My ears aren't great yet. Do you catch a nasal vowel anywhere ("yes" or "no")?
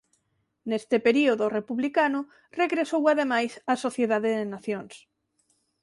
no